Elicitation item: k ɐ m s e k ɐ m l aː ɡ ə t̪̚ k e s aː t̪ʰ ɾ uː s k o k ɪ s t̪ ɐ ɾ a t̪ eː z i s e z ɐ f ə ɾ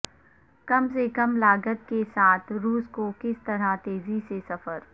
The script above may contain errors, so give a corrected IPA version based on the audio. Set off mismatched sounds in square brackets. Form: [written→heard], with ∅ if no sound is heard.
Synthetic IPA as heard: k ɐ m s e k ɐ m l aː ɡ ə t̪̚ k e s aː t̪ʰ ɾ uː s k o k ɪ s t̪ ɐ ɾ a t̪ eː z i s e [z→s] ɐ f ə ɾ